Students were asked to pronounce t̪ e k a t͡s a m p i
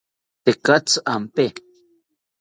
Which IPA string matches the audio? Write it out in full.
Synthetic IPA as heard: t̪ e k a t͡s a m p e